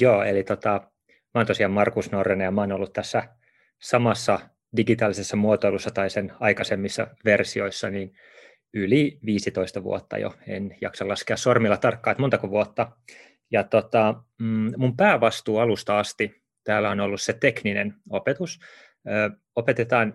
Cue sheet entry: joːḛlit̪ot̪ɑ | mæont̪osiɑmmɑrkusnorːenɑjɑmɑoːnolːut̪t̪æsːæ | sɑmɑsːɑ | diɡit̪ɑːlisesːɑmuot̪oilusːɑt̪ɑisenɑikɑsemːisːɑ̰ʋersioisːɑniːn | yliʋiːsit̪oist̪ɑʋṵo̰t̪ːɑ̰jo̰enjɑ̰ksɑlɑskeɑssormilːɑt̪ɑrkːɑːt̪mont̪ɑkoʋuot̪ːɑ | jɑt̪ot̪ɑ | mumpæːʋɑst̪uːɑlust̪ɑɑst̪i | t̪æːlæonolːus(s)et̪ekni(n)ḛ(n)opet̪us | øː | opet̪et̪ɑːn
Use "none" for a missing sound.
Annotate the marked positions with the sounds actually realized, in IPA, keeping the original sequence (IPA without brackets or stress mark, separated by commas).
s, n, n